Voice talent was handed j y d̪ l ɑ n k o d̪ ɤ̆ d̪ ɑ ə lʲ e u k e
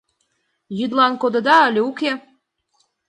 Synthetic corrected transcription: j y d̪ l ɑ n k o d̪ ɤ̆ d̪ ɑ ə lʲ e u k e